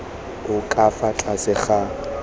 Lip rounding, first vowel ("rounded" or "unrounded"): rounded